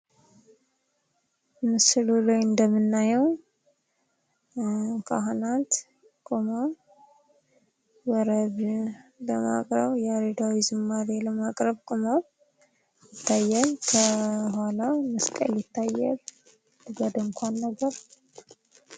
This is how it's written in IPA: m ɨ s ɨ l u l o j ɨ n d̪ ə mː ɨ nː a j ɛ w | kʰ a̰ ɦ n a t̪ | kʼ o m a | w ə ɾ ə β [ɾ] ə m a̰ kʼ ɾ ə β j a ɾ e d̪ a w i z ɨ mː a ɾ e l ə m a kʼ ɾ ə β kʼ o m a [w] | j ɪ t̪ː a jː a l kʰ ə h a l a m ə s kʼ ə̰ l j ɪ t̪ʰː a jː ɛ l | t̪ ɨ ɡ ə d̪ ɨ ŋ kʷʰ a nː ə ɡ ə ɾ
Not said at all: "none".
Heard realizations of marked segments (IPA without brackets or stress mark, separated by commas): l, β